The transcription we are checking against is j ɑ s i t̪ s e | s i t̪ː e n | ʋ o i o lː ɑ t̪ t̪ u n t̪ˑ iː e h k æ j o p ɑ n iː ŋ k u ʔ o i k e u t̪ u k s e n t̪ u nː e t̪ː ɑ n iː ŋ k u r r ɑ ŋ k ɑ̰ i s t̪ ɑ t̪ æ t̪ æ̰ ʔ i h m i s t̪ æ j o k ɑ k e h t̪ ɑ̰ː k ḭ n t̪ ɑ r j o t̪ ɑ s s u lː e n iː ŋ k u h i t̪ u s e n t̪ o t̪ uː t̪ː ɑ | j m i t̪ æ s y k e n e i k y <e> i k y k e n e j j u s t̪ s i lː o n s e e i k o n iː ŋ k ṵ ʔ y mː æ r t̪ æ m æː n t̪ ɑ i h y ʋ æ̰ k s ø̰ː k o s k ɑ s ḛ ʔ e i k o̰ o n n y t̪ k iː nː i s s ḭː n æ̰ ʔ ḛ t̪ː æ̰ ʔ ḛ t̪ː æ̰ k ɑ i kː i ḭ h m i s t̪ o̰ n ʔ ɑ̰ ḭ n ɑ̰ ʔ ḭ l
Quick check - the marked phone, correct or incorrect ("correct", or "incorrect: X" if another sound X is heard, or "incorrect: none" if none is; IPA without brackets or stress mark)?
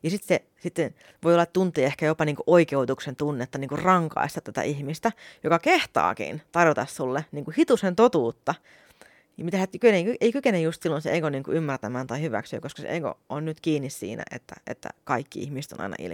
correct